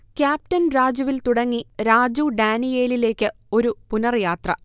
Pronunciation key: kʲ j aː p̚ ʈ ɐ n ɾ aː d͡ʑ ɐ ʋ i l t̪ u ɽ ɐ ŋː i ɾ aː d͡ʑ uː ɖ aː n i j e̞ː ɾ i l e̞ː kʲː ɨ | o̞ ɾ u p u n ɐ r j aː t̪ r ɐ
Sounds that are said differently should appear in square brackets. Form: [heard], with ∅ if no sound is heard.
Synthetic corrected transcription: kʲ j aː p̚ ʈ ɐ n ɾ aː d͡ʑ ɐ ʋ i l t̪ u ɽ ɐ ŋː i ɾ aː d͡ʑ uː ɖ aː n i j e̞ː [l] i l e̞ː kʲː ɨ | o̞ ɾ u p u n ɐ r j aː t̪ r ɐ